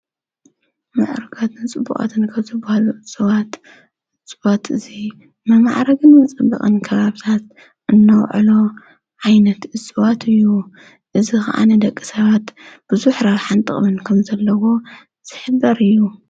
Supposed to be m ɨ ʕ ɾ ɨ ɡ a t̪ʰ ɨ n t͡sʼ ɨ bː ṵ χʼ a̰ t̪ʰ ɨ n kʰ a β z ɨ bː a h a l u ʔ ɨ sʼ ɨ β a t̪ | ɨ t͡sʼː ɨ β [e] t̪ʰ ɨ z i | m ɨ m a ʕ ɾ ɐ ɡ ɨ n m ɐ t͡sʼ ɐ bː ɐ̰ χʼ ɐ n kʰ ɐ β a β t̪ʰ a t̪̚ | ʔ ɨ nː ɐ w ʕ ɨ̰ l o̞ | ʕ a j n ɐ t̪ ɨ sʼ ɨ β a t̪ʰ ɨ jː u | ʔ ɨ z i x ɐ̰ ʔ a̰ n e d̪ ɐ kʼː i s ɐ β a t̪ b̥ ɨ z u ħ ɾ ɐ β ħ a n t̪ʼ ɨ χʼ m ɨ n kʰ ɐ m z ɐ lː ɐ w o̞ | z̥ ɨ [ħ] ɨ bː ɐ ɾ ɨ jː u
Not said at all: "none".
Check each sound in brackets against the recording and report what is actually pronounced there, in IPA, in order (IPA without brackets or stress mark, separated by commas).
a, ħ